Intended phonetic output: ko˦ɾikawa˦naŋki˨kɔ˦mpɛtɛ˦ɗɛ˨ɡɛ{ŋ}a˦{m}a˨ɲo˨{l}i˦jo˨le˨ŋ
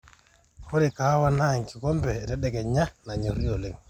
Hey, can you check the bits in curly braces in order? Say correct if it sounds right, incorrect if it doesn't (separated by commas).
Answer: incorrect, incorrect, incorrect